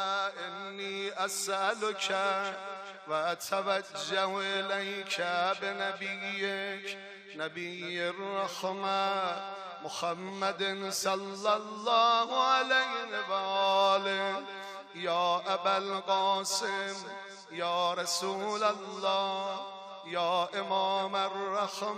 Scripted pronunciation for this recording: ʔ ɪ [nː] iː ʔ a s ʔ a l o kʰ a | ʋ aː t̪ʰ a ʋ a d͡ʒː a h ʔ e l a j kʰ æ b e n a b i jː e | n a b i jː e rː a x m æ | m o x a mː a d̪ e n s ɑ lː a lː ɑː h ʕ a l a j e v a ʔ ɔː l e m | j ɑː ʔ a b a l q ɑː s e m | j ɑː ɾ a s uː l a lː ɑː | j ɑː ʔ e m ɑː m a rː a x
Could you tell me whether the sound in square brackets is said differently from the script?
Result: no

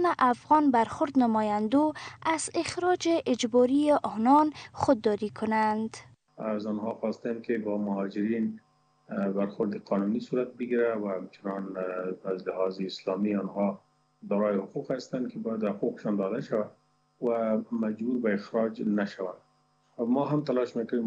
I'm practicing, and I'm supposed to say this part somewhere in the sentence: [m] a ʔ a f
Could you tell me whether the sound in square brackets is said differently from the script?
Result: yes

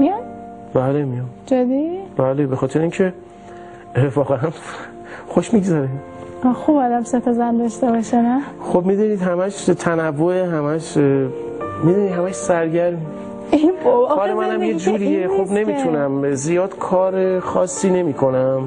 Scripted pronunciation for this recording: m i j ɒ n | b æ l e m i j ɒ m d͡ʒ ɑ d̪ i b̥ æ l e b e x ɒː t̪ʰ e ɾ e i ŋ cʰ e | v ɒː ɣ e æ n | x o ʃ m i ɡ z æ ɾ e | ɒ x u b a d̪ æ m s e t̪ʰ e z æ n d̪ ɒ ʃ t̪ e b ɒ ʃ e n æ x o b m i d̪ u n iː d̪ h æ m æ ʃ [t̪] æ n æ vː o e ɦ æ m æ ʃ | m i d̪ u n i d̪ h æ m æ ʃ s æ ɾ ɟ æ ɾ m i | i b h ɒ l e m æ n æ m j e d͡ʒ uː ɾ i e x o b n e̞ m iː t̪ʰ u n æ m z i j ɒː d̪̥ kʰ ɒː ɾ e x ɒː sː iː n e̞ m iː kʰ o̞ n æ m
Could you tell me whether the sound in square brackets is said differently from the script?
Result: yes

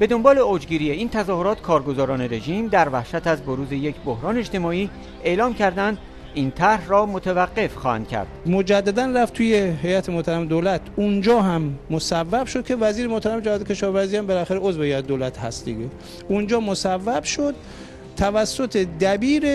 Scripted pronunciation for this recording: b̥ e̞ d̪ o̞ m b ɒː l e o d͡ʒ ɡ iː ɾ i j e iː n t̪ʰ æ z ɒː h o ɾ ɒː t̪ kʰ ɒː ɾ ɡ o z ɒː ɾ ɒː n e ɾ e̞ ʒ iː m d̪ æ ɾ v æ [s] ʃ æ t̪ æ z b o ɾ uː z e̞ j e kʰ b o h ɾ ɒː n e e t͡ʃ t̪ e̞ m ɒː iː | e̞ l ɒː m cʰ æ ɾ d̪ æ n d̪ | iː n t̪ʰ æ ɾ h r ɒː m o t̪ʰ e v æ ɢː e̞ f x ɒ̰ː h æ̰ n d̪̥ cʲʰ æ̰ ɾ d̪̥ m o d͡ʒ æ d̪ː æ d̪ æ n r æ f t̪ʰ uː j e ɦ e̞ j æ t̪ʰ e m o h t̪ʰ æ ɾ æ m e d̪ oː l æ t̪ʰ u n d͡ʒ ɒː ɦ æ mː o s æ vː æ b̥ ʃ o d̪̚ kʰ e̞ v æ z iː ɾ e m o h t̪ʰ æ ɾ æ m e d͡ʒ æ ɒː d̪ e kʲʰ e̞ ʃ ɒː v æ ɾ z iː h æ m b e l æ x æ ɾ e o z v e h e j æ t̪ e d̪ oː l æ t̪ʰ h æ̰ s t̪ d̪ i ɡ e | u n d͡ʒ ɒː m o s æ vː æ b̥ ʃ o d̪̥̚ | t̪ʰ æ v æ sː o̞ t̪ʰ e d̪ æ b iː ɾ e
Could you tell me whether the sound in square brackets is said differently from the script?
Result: yes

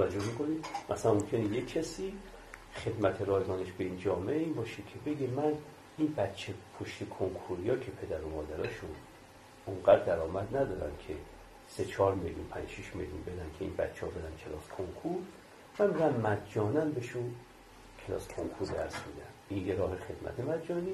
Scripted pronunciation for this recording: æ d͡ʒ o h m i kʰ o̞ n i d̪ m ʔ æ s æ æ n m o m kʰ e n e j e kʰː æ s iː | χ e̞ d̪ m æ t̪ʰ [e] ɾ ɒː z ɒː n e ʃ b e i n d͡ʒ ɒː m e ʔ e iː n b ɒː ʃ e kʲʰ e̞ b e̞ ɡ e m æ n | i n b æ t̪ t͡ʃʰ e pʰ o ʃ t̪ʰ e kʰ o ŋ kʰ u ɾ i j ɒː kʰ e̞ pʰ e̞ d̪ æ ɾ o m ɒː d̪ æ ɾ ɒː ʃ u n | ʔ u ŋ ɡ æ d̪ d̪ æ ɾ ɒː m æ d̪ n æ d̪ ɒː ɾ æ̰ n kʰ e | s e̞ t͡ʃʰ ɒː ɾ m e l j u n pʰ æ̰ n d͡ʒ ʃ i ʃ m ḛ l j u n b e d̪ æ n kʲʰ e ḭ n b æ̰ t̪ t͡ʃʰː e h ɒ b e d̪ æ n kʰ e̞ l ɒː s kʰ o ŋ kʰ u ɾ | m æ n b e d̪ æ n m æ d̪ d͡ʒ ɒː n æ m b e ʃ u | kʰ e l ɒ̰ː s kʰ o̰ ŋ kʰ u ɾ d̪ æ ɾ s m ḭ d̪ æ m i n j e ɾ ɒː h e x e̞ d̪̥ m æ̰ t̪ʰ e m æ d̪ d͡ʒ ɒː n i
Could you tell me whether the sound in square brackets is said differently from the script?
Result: no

